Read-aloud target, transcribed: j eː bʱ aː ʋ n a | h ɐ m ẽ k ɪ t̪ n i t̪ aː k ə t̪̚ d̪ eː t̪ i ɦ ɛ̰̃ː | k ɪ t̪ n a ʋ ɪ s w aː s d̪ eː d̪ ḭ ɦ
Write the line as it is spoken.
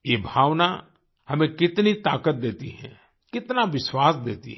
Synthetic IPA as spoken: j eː bʱ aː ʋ n a | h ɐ m ẽ k ɪ t̪ n i t̪ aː k ə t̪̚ d̪ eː t̪ i ɦ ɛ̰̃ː | k ɪ t̪ n a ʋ ɪ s w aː s d̪ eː t̪ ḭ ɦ